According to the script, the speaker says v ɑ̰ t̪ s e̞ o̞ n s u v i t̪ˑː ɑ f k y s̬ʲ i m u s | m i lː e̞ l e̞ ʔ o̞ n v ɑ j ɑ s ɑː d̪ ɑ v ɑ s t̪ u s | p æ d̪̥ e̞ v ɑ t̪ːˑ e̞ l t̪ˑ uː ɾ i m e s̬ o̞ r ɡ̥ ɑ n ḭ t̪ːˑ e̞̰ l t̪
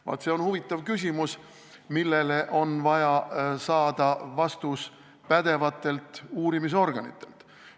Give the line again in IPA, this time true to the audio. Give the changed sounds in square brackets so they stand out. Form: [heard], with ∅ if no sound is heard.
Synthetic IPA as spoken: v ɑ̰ t̪ s e̞ o̞ n [h] u v i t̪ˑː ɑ [v] k y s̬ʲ i m u s | m i lː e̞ l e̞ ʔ o̞ n v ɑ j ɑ s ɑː d̪ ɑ v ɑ s t̪ u s | p æ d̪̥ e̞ v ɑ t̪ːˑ e̞ l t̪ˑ uː ɾ i m [i] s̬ o̞ r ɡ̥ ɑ n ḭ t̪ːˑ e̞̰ l t̪